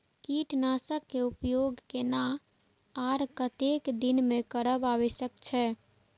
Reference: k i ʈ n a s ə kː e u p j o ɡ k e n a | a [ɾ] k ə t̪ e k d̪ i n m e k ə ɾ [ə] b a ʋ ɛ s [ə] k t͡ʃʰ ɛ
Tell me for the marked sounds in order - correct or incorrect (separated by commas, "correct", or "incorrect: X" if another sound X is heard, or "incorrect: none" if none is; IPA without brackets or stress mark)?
correct, correct, correct